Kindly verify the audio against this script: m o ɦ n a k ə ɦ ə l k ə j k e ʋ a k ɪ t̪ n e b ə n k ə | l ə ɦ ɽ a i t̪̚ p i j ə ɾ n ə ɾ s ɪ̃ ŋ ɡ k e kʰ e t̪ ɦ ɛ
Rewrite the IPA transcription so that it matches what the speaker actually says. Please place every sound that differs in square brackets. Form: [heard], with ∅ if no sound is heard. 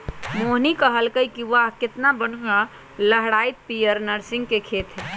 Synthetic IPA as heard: m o ɦ n [i] k ə ɦ ə l k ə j k [i] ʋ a k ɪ t̪ n [a] b ə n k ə | l ə ɦ ɽ a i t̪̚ p i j ə ɾ n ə ɾ s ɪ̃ ŋ ɡ k e kʰ e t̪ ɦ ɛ